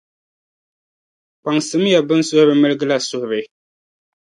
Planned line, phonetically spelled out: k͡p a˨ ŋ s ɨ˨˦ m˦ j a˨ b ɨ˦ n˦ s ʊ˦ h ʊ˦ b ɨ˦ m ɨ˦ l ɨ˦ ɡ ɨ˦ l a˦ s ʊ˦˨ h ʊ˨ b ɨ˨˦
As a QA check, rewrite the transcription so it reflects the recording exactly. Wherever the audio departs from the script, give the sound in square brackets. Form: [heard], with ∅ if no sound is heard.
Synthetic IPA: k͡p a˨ ŋ s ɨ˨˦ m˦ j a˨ b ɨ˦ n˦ s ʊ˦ h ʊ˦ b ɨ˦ m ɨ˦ l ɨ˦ ɡ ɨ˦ l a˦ s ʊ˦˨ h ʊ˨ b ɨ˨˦